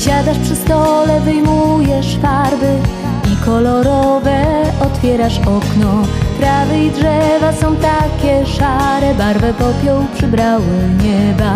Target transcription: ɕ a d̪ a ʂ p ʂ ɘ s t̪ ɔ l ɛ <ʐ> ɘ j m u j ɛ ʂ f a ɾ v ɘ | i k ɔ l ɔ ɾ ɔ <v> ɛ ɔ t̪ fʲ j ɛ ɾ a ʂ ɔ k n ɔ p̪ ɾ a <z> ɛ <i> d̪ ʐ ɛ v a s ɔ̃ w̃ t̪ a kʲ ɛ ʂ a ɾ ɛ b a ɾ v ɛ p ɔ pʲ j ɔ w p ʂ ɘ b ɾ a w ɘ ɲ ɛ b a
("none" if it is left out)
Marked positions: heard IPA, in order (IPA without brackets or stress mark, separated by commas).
v, v, v, i